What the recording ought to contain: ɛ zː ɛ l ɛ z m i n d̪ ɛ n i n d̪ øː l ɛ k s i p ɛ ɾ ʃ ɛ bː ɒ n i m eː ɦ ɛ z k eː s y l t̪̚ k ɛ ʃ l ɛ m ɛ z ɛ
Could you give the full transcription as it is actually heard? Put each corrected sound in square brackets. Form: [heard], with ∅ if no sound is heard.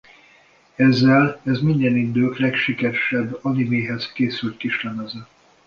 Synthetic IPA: ɛ zː ɛ l ɛ z m i n d̪ ɛ n i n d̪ øː l ɛ k [ʃ] i [k] ɛ ɾ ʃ ɛ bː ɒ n i m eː ɦ ɛ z k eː s y l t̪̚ k [i] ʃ l ɛ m ɛ z ɛ